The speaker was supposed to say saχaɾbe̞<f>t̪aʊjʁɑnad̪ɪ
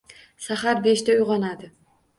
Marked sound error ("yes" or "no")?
yes